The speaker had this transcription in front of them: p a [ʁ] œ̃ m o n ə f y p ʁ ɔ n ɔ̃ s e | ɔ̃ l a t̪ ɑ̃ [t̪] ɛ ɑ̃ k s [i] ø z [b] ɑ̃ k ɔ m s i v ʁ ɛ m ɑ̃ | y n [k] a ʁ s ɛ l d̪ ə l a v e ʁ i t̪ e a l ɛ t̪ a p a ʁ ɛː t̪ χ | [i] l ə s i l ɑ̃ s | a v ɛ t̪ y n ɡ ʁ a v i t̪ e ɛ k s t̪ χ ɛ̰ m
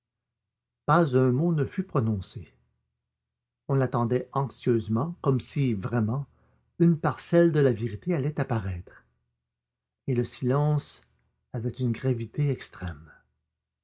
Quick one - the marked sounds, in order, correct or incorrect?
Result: incorrect: z, incorrect: d̪, incorrect: j, incorrect: m, incorrect: p, incorrect: e

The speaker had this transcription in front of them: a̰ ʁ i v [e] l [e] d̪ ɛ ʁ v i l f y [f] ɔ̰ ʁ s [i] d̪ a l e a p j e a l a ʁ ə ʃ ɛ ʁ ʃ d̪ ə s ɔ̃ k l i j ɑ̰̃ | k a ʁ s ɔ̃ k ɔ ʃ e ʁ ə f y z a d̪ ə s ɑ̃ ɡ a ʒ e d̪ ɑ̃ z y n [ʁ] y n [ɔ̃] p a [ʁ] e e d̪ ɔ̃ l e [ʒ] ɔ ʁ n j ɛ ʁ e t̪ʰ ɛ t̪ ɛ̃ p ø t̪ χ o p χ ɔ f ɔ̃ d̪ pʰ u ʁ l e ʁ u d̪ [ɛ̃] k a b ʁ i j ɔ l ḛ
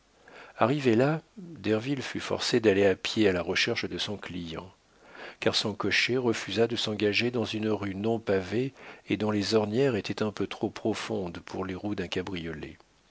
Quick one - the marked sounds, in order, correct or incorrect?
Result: correct, incorrect: a, correct, incorrect: e, correct, correct, incorrect: v, incorrect: z, correct

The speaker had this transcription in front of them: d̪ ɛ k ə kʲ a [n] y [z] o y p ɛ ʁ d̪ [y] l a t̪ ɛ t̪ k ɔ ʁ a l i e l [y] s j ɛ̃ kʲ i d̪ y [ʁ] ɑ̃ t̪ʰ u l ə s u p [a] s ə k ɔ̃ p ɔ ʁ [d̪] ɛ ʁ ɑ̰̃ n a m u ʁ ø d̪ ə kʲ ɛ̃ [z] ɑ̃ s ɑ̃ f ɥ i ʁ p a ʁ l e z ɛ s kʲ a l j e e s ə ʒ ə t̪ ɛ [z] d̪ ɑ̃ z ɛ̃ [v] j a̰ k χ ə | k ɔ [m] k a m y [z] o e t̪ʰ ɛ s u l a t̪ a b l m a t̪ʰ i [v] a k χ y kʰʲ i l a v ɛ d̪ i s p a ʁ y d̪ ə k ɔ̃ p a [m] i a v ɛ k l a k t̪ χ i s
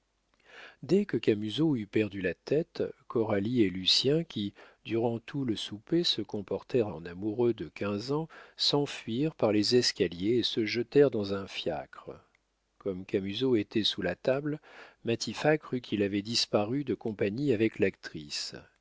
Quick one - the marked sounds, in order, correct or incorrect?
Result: incorrect: m, correct, correct, correct, correct, incorrect: e, incorrect: t̪, correct, incorrect: ʁ, incorrect: f, correct, correct, incorrect: f, incorrect: ɲ

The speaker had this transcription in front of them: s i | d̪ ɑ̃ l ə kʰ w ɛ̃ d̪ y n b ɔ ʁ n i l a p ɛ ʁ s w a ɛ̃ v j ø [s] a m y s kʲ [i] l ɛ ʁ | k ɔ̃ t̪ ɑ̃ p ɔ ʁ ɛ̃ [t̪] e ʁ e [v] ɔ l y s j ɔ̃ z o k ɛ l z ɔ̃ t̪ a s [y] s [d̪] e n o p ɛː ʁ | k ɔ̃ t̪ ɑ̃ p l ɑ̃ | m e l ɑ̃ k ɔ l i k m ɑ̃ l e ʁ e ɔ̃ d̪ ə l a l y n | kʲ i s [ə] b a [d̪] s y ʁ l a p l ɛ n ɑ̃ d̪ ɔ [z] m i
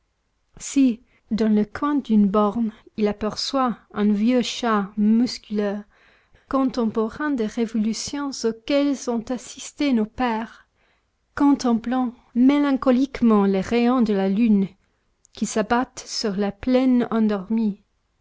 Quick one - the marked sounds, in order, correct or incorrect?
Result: incorrect: ʃ, incorrect: y, incorrect: d̪, correct, incorrect: i, incorrect: t̪, incorrect: a, incorrect: t̪, incorrect: ʁ

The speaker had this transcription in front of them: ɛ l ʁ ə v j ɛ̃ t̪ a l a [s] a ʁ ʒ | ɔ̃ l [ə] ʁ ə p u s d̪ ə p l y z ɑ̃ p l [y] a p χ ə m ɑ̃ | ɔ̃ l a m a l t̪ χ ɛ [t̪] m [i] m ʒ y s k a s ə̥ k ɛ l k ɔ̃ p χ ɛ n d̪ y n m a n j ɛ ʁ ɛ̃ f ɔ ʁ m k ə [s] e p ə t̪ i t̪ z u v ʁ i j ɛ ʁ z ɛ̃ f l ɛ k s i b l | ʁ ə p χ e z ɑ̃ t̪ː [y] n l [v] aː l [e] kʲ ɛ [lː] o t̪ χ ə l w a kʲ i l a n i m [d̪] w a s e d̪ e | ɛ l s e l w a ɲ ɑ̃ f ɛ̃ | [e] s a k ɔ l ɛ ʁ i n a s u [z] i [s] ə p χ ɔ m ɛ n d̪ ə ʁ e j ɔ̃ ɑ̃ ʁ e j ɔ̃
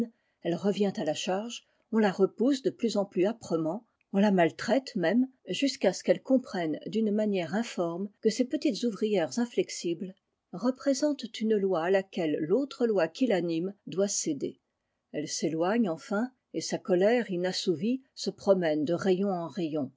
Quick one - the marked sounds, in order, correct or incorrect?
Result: incorrect: ʃ, incorrect: a, correct, correct, incorrect: ɛ, correct, correct, incorrect: w, incorrect: a, correct, correct, correct, incorrect: v, correct

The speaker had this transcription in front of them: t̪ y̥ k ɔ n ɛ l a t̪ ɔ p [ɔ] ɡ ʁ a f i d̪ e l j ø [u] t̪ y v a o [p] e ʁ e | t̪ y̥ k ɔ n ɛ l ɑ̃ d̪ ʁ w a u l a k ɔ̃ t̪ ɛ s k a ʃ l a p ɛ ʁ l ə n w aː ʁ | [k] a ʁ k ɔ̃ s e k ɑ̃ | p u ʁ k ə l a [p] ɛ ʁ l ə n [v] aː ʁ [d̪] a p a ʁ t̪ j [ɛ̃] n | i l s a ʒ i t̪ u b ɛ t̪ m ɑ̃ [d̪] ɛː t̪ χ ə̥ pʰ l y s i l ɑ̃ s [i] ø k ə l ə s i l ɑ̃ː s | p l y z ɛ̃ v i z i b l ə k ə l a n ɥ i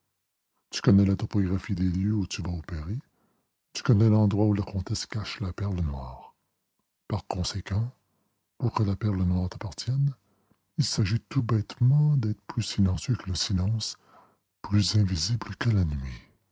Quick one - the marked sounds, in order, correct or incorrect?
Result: correct, correct, correct, incorrect: p, correct, incorrect: w, incorrect: t̪, incorrect: ɛ, correct, incorrect: j

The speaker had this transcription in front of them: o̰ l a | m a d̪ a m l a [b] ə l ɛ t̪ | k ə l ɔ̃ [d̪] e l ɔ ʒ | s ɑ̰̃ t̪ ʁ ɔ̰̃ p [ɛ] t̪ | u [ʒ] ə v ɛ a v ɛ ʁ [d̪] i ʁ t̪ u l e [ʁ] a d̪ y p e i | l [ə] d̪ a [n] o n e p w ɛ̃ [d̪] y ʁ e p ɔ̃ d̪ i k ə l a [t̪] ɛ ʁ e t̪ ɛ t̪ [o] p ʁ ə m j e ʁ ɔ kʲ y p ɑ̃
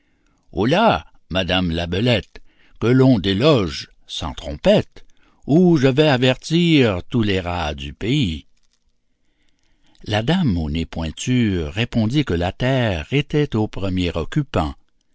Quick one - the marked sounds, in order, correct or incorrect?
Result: correct, correct, correct, correct, incorrect: t̪, correct, incorrect: a, incorrect: m, incorrect: t̪, correct, correct

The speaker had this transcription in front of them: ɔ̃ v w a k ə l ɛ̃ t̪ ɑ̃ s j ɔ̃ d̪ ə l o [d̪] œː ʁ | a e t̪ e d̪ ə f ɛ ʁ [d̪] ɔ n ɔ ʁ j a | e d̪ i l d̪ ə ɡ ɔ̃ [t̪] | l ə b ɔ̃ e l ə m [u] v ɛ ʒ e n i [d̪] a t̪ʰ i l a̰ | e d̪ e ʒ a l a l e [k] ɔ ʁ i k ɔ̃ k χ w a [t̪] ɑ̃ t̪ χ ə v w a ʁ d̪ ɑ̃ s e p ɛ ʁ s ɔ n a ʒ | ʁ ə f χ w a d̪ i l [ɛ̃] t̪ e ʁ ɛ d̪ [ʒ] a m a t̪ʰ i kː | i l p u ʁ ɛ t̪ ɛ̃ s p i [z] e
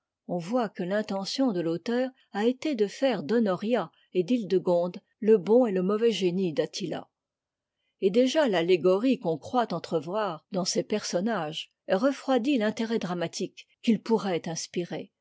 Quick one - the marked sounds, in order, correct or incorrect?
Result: incorrect: t̪, correct, incorrect: d̪, incorrect: ɔ, correct, incorrect: ɡ, correct, correct, incorrect: ʁ, incorrect: ʁ

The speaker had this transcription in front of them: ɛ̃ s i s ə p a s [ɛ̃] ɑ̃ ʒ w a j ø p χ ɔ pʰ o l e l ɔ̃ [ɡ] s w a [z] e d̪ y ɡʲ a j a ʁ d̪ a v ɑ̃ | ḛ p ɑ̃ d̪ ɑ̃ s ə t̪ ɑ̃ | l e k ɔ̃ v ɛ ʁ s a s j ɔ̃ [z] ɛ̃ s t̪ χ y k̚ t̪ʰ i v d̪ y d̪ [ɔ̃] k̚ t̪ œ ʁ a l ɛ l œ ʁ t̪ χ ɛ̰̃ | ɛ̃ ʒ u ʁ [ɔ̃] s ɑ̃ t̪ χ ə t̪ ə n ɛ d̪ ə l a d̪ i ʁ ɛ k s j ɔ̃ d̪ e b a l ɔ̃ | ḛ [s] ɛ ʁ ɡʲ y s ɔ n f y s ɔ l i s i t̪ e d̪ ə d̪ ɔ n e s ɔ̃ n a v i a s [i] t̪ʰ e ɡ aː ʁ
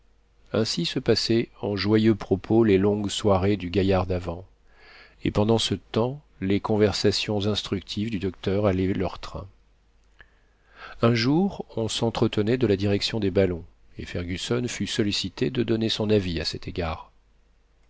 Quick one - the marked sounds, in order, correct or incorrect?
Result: incorrect: ɛ, correct, incorrect: ʁ, correct, incorrect: ɔ, correct, incorrect: f, incorrect: ɛ

